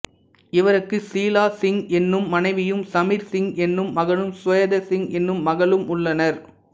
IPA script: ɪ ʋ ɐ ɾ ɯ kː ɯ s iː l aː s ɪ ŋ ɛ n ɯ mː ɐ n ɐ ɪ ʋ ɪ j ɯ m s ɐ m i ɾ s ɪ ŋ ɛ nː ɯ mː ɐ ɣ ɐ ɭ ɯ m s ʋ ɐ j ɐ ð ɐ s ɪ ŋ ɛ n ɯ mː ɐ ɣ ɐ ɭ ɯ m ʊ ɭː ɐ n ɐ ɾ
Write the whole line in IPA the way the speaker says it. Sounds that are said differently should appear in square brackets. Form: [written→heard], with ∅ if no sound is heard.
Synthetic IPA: ɪ ʋ ɐ ɾ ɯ kː ɯ s iː l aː s ɪ ŋ ɛ [n→nː] ɯ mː ɐ n ɐ ɪ ʋ ɪ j ɯ m s ɐ m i ɾ s ɪ ŋ ɛ nː ɯ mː ɐ ɣ ɐ ɭ ɯ m s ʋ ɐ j ɐ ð ɐ s ɪ ŋ ɛ [n→nː] ɯ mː ɐ ɣ ɐ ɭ ɯ m ʊ ɭː ɐ n ɐ ɾ

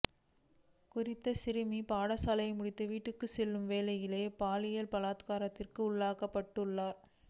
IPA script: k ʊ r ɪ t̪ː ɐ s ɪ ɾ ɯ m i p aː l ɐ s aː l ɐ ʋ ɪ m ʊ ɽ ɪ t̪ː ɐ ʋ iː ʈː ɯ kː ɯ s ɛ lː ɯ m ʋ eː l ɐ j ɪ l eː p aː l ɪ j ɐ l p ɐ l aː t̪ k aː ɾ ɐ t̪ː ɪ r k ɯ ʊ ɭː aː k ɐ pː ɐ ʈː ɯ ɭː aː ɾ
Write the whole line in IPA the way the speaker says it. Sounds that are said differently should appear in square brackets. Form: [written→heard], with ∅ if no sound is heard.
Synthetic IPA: k ʊ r ɪ t̪ː ɐ s ɪ ɾ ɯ m i p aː [l→ɽ] ɐ s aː l ɐ [ʋ→∅] ɪ m ʊ ɽ ɪ t̪ː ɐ ʋ iː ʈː ɯ kː ɯ s ɛ lː ɯ m ʋ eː l ɐ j ɪ l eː p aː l ɪ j ɐ l p ɐ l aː t̪ k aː ɾ ɐ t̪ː ɪ r k ɯ ʊ ɭː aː k ɐ pː ɐ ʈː ɯ ɭː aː ɾ

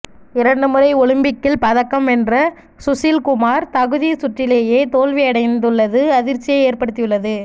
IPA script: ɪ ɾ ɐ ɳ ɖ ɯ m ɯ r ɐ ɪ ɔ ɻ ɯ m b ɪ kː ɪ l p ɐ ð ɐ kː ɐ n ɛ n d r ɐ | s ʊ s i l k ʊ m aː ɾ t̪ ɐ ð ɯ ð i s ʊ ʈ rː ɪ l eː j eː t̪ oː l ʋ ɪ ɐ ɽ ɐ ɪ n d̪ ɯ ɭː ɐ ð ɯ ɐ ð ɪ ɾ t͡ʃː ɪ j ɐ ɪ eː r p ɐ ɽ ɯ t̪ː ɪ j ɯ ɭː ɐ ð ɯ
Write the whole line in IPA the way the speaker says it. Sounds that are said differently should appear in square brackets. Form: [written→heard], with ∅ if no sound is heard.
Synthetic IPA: ɪ ɾ ɐ ɳ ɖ ɯ m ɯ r ɐ ɪ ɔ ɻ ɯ m b ɪ kː ɪ l p ɐ ð ɐ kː ɐ [n→m] ɛ n d r ɐ | s ʊ s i l k ʊ m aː ɾ t̪ ɐ [ð→ɣ] ɯ ð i s ʊ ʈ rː ɪ l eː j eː t̪ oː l ʋ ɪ ɐ ɽ ɐ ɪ n d̪ ɯ ɭː ɐ ð ɯ ɐ ð ɪ ɾ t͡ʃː ɪ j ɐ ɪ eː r p ɐ ɽ ɯ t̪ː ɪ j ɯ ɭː ɐ ð ɯ

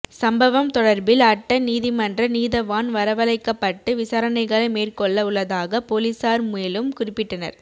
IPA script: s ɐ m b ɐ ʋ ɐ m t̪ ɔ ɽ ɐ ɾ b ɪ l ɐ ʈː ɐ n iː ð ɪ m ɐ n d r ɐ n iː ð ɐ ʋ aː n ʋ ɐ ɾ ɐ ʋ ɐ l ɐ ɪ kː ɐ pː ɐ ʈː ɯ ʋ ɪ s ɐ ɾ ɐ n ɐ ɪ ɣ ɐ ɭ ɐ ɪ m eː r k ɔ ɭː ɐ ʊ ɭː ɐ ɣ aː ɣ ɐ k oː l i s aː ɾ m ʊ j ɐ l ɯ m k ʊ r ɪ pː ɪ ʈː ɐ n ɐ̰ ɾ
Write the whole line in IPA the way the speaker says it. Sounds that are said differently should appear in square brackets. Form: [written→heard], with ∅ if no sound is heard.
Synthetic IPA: s ɐ m b ɐ ʋ ɐ m t̪ ɔ ɽ ɐ ɾ b ɪ l ɐ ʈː ɐ n iː ð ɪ m ɐ n d r ɐ n iː ð ɐ ʋ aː n ʋ ɐ ɾ ɐ ʋ ɐ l ɐ ɪ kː ɐ pː ɐ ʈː ɯ ʋ ɪ s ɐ ɾ ɐ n ɐ ɪ ɣ ɐ ɭ ɐ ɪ m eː r k ɔ ɭː ɐ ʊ ɭː ɐ [ɣ→ð] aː ɣ ɐ [k→p] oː l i s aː ɾ m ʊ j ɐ l ɯ m k ʊ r ɪ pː ɪ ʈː ɐ n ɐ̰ ɾ

